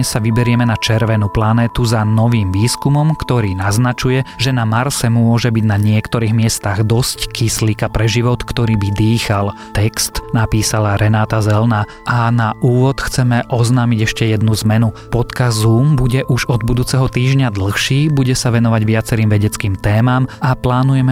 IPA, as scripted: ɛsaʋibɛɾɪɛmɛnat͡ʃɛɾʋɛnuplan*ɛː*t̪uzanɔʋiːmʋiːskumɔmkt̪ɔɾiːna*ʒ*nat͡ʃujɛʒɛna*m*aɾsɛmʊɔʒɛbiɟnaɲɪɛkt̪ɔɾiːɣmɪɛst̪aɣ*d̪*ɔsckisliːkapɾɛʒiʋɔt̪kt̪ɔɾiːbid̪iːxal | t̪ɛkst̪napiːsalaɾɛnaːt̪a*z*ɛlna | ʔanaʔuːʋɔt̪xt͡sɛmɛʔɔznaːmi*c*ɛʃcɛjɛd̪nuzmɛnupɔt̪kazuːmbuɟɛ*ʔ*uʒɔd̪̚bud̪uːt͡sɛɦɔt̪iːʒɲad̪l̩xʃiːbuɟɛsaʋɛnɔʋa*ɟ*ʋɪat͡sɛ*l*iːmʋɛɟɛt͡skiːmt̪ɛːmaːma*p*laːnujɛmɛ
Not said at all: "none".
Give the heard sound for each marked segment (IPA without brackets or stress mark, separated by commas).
ɛː, z, m, d̪, z, ɟ, ʔ, ɟ, ɾ, p